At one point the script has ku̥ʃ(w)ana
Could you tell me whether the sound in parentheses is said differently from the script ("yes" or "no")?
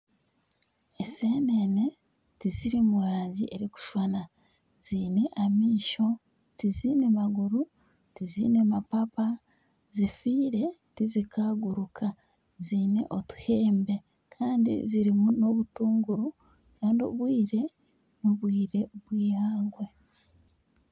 no